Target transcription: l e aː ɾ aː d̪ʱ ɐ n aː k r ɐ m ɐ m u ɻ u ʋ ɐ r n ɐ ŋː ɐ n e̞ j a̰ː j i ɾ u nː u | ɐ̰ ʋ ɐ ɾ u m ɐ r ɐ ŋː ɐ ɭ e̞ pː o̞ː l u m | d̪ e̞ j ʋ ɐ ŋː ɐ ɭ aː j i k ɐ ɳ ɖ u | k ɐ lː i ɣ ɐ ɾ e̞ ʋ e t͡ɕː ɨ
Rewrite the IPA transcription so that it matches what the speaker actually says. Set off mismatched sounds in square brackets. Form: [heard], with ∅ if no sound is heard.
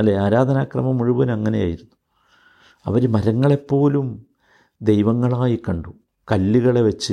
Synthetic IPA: l e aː ɾ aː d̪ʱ ɐ n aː k r ɐ m ɐ m u ɻ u ʋ ɐ [∅] n ɐ ŋː ɐ n e̞ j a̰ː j i ɾ u nː u | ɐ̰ ʋ ɐ ɾ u m ɐ [ɾ] ɐ ŋː ɐ ɭ e̞ pː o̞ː l u m | d̪ e̞ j ʋ ɐ ŋː ɐ ɭ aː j i k ɐ ɳ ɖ u | k ɐ lː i ɣ ɐ [ɭ] e̞ ʋ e t͡ɕː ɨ